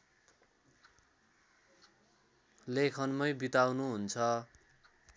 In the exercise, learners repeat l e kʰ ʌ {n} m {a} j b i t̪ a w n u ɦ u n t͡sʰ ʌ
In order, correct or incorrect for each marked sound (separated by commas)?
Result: correct, incorrect